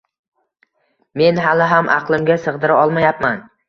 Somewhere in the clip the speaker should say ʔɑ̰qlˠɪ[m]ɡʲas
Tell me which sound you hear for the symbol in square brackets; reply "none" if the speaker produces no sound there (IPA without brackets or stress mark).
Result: m